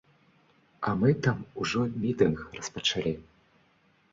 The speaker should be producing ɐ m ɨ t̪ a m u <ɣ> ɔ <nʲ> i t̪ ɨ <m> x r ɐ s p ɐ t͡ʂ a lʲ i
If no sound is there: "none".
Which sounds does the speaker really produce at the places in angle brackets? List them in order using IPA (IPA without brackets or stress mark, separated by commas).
ʐ, mʲ, n